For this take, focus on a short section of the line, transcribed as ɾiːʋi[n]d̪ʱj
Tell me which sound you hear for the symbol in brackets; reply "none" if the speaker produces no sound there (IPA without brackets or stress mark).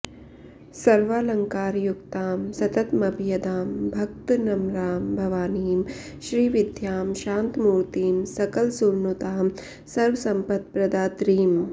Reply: none